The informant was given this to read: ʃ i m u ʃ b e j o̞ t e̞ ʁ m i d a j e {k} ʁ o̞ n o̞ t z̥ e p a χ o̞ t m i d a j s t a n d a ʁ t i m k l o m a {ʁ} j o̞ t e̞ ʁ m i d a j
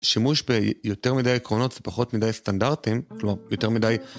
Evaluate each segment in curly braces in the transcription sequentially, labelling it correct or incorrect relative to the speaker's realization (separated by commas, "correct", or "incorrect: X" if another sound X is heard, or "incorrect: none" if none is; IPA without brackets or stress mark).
correct, correct